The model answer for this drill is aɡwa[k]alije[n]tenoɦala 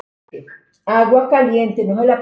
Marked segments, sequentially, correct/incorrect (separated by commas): correct, correct